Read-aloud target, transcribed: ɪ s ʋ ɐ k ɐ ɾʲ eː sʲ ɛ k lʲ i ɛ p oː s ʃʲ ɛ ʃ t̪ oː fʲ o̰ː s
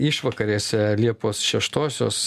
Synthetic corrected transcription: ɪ ʃ ʋ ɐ k ɐ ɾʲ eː sʲ ɛ lʲ i ɛ p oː s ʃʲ ɛ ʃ t̪ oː sʲ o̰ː s